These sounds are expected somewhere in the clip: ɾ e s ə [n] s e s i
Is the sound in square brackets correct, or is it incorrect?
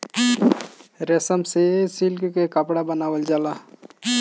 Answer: incorrect